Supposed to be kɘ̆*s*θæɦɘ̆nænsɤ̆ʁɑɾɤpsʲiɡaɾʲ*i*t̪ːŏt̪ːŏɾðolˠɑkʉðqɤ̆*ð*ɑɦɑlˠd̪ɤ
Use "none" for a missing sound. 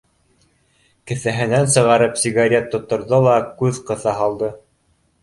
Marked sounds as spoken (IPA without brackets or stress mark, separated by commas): none, e, θ